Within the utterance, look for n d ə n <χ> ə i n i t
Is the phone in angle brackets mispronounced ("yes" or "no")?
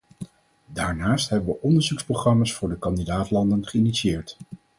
no